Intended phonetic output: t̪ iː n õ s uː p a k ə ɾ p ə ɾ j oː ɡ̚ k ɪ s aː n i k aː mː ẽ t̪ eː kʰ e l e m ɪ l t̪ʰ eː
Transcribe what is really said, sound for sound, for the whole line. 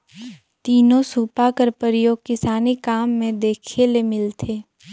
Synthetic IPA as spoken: t̪ iː n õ s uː p a k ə ɾ p ə ɾ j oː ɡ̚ k ɪ s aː n i k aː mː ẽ d̪ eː kʰ e l e m ɪ l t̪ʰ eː